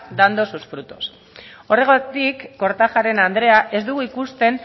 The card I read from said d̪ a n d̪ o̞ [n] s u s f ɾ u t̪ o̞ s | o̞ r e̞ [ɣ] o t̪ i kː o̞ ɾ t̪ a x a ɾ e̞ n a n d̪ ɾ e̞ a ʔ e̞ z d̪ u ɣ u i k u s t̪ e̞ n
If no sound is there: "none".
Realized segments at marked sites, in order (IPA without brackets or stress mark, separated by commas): none, ɣ